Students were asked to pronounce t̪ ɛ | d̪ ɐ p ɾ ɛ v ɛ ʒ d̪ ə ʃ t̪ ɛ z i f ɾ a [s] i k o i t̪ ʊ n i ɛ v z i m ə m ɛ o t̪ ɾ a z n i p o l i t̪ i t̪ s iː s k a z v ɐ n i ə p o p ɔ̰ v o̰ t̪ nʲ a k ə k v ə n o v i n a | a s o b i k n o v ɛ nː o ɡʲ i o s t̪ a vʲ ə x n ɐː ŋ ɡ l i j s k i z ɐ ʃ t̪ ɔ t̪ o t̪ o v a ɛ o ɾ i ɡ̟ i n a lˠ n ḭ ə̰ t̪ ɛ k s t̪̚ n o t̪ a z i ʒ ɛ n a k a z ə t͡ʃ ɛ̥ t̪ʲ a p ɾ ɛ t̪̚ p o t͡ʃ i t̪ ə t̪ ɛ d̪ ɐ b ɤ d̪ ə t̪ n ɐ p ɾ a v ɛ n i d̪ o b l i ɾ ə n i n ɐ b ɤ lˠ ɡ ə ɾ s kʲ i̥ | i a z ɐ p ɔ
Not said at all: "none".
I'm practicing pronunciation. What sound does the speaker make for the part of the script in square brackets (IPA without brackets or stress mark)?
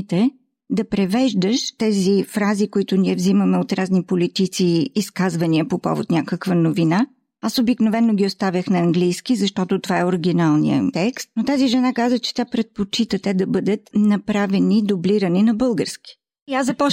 z